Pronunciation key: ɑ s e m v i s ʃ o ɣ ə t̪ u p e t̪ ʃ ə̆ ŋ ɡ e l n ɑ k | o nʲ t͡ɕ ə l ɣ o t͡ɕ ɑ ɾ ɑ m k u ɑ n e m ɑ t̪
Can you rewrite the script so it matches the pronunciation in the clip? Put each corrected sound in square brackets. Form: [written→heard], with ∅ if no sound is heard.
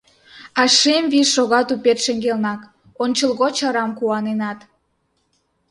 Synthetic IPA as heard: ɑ [s→ʃ] e m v i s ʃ o ɣ [ə→ɑ] t̪ u p e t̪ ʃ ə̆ ŋ ɡ e l n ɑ k | o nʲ t͡ɕ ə l ɣ o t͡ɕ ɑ ɾ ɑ m k u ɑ n e [m→n] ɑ t̪